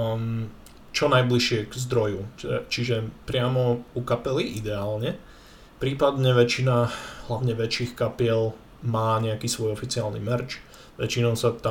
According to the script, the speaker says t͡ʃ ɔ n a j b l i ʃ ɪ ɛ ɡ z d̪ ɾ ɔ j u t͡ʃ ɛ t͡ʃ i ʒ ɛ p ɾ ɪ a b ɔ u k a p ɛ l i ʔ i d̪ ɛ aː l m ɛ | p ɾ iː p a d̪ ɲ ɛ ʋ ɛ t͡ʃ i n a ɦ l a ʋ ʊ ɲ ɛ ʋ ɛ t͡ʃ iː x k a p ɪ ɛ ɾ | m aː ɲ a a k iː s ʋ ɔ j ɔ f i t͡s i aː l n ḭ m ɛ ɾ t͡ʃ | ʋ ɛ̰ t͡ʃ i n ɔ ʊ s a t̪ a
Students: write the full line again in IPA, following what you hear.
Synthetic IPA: t͡ʃ ɔ n a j b l i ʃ ɪ ɛ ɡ z d̪ ɾ ɔ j u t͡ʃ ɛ t͡ʃ i ʒ ɛ p ɾ ɪ a m ɔ u k a p ɛ l i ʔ i d̪ ɛ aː l ɲ ɛ | p ɾ iː p a d̪ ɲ ɛ ʋ ɛ t͡ʃ i n a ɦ l a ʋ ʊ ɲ ɛ ʋ ɛ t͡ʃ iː x k a p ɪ ɛ l | m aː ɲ ɛ a k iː s ʋ ɔ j ɔ f i t͡s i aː l n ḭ m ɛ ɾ t͡ʃ | ʋ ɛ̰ t͡ʃ i n ɔ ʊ s a t̪ a